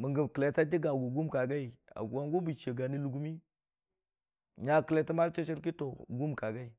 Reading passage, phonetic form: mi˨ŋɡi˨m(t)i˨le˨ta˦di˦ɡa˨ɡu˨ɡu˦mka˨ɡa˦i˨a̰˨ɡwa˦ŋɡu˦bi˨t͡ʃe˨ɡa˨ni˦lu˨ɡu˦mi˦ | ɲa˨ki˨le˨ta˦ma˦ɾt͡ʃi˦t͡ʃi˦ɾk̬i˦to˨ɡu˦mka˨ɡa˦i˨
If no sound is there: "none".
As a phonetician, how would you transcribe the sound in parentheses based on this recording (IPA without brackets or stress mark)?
k